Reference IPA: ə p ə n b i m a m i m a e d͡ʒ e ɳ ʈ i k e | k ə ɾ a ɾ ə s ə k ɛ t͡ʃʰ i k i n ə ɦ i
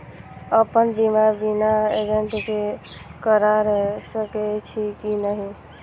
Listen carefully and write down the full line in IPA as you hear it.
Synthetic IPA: ə p ə n b i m a b i n a e d͡ʒ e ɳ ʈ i k e | k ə ɾ a ɾ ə s ə k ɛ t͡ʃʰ i k i n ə ɦ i